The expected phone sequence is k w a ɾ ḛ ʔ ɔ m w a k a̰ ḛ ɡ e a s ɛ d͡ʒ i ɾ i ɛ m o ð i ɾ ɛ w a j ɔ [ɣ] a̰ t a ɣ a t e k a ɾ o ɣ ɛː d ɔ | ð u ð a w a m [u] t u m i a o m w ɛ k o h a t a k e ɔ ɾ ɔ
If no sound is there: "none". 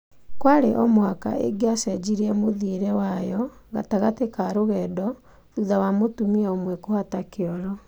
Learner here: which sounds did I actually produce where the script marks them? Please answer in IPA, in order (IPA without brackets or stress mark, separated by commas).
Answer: ɣ, o